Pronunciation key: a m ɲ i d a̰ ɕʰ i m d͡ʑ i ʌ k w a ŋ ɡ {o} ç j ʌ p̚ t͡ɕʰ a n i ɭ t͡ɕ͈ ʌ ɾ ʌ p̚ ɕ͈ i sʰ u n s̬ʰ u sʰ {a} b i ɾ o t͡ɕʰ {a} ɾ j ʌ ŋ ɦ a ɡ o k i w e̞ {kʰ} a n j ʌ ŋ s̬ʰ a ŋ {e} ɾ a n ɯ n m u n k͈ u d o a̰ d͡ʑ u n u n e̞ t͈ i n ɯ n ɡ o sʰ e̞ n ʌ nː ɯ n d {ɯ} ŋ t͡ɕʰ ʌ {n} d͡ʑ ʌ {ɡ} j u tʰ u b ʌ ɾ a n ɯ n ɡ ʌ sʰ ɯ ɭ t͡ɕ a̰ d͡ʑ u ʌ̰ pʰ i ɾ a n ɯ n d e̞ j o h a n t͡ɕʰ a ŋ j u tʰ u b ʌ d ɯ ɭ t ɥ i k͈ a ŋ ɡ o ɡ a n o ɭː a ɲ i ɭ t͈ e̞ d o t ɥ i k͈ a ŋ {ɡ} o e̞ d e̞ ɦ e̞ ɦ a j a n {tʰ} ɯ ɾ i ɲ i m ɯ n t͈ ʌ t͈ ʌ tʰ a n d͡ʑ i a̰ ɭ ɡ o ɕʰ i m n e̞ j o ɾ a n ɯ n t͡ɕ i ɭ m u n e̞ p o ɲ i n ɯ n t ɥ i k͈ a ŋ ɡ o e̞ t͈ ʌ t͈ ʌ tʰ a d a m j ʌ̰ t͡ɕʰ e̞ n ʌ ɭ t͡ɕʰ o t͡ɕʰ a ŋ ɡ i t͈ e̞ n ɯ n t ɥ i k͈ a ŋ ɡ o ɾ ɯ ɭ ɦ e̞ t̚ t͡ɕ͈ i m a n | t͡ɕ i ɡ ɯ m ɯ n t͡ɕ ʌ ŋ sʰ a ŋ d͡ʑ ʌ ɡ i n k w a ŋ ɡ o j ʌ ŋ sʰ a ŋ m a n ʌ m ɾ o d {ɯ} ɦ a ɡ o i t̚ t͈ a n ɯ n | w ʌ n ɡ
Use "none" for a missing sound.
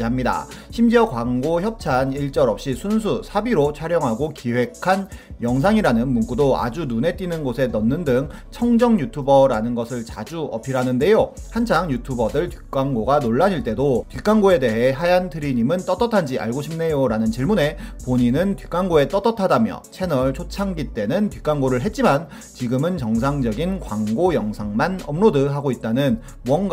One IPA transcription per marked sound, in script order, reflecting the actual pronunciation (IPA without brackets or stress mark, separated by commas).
o, a, a, kʰ, i, ɯ, ŋ, ŋ, ɡ, tʰ, ɯ